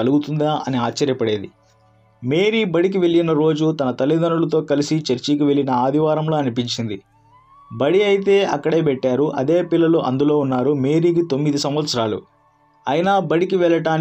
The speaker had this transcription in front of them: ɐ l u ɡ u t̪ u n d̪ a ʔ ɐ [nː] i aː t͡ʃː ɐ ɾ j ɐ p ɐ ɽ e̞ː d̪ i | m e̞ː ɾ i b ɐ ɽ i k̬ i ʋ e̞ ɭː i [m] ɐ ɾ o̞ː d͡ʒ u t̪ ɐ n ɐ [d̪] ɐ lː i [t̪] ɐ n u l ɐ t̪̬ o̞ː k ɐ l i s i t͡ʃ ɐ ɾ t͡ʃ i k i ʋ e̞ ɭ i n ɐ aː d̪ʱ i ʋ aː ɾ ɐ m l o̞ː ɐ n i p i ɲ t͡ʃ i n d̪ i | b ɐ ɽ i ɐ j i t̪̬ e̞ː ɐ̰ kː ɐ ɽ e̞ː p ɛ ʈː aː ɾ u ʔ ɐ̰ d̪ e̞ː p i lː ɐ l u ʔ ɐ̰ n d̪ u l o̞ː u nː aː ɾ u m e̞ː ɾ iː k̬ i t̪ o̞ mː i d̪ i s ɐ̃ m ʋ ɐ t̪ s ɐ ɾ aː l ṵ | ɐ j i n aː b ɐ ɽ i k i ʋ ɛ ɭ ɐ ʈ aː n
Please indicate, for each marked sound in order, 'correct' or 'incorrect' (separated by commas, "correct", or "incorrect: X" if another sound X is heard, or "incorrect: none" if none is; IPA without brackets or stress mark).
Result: incorrect: n, incorrect: n, incorrect: t̪, incorrect: d̪